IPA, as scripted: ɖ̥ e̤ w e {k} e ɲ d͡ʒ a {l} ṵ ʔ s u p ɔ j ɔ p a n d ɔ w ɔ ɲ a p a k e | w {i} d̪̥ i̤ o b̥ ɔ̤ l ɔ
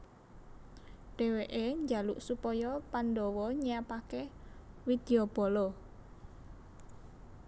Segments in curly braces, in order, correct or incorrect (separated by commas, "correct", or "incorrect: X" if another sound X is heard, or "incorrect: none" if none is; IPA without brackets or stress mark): incorrect: ʔ, correct, correct